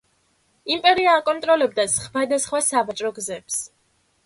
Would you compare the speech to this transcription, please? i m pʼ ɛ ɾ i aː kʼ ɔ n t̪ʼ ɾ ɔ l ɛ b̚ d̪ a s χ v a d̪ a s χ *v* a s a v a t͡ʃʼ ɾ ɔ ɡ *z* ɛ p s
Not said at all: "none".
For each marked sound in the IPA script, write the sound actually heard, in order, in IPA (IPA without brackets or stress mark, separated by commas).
w, z